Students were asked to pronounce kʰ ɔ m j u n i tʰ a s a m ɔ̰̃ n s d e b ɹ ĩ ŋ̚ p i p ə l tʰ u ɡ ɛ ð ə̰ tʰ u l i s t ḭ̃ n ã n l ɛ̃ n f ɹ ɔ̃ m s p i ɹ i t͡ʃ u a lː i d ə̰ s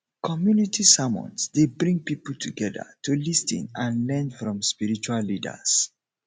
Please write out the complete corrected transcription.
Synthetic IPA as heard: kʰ ɔ m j u n i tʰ i s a m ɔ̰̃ n s d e b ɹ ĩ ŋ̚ p i p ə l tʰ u ɡ ɛ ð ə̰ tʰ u l i s t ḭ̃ n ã n l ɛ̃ n f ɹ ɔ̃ m s p i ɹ i t͡ʃ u a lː i d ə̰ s